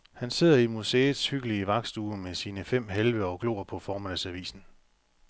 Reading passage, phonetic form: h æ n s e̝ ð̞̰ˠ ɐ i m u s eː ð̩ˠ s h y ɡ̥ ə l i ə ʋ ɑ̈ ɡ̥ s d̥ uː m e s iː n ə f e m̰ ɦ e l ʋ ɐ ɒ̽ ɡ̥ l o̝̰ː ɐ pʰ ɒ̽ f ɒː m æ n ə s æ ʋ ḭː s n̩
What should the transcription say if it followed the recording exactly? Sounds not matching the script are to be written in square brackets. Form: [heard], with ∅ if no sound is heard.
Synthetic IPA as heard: h æ n s e̝ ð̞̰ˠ ɐ i m u s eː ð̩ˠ s h y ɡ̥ ə l i ə ʋ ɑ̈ ɡ̥ s d̥ uː m e s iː n ə f e m̰ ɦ e l ʋ [ə] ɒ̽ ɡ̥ l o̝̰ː ɐ pʰ ɒ̽ f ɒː m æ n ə s æ ʋ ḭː s n̩